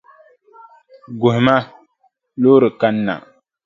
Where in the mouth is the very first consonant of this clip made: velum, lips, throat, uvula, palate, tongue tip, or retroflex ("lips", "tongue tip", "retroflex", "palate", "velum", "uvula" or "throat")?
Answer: velum